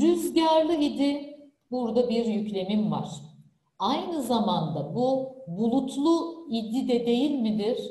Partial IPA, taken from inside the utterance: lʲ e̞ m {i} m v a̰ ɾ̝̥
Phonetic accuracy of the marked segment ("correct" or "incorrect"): correct